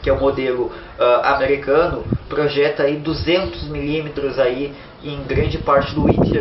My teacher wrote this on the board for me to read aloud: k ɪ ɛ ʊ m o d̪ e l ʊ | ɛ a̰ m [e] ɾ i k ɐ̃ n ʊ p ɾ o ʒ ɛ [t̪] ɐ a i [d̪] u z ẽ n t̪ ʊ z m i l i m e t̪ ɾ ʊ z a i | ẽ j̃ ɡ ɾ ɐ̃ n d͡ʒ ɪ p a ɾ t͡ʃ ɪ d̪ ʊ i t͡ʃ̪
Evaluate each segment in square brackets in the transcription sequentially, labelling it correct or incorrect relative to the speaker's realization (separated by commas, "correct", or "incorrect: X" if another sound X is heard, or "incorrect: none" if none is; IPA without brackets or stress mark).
correct, correct, correct